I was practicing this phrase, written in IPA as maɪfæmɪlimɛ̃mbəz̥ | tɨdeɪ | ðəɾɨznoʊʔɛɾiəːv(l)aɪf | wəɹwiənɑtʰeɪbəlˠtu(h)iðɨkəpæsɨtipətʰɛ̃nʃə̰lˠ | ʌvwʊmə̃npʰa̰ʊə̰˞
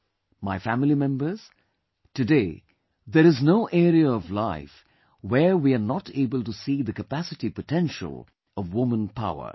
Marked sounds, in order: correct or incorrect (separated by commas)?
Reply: correct, incorrect